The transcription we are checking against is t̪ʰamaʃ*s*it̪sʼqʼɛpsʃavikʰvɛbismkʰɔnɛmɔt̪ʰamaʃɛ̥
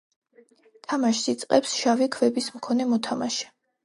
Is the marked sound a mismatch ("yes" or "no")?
no